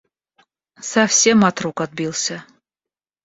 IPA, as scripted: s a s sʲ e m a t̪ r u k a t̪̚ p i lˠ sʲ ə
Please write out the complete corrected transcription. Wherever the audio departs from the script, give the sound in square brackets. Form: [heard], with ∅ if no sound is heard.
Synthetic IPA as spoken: s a [f] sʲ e m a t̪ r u k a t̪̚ [b] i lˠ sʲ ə